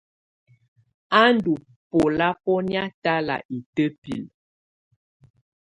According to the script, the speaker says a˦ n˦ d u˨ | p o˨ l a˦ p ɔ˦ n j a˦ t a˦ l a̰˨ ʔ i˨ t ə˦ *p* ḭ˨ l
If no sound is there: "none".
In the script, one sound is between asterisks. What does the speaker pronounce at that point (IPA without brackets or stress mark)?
p